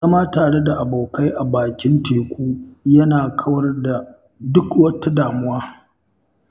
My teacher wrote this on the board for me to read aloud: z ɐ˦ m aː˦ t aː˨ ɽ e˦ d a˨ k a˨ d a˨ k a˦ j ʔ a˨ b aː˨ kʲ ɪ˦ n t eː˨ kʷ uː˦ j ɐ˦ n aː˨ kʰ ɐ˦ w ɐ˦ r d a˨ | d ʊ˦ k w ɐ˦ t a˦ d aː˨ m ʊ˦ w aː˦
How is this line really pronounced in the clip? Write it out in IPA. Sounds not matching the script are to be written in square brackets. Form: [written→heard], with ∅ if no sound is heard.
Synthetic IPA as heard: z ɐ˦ m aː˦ t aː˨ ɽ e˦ d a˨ [k→ʔ] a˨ [d→b] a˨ k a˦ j ʔ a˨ b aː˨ kʲ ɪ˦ n t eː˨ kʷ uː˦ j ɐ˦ n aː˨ kʰ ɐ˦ w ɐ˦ r d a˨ | d ʊ˦ k w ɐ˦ t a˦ d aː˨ m ʊ˦ w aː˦